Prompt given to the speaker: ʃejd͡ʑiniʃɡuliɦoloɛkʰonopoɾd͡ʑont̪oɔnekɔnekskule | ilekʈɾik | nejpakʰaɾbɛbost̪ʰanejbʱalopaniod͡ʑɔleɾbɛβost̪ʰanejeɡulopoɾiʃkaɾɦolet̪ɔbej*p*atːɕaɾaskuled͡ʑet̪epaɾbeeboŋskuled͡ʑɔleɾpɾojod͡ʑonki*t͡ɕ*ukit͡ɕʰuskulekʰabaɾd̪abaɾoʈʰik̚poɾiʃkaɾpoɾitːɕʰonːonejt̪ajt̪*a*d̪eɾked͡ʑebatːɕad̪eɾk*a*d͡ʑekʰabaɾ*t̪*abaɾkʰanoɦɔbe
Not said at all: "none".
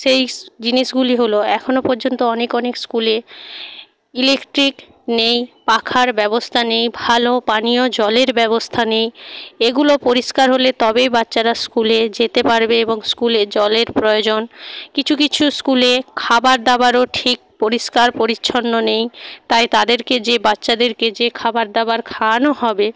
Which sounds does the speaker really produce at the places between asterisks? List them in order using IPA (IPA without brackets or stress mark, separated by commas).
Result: b, t͡ɕʰ, a, e, d̪